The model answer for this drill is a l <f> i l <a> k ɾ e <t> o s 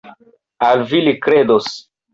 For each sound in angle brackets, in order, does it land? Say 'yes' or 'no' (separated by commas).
no, no, no